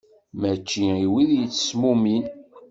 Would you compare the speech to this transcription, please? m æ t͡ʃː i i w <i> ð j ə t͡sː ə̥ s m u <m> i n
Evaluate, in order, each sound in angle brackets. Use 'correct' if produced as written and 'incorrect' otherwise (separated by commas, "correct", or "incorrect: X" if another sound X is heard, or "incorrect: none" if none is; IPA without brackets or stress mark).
correct, correct